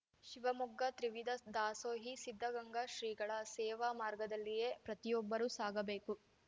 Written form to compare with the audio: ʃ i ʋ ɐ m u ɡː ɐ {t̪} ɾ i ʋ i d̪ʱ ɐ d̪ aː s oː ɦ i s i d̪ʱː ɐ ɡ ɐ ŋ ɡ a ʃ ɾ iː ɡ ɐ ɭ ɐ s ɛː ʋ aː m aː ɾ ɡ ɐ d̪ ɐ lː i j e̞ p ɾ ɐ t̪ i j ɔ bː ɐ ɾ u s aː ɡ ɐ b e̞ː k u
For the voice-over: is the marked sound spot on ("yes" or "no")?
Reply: yes